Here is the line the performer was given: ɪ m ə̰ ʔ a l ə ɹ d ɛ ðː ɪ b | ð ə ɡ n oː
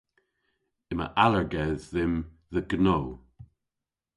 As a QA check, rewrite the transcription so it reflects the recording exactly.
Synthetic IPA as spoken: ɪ m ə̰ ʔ a l ə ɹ ɡ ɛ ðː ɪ m | ð ə ɡ n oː